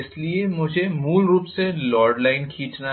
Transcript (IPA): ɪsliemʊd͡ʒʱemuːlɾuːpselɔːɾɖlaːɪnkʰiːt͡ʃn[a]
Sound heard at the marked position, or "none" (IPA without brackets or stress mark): a